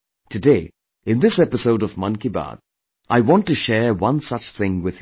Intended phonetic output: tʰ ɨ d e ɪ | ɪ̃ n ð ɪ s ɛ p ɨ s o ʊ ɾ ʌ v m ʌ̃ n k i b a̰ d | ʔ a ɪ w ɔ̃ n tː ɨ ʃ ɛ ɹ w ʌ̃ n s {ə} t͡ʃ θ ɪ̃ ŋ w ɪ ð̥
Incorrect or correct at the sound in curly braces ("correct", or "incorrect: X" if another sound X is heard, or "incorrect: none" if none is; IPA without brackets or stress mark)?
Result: incorrect: ʌ